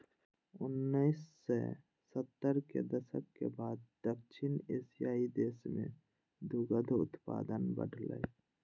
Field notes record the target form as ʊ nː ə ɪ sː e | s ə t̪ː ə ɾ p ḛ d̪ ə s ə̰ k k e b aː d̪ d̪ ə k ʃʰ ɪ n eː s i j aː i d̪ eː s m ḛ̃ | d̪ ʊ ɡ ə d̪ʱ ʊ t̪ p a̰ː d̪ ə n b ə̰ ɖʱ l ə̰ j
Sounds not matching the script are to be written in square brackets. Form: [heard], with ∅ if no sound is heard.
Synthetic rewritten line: ʊ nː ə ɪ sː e | s ə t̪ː ə ɾ [k] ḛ d̪ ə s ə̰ k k e b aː d̪ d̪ ə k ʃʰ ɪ n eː s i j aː i d̪ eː s m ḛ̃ | d̪ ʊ ɡ ə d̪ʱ ʊ t̪ p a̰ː d̪ ə n b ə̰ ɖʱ l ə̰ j